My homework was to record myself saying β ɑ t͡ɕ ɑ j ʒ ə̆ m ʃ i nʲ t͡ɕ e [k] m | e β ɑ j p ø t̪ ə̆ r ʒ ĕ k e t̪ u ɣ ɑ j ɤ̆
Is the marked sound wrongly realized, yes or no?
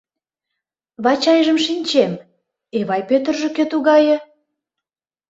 yes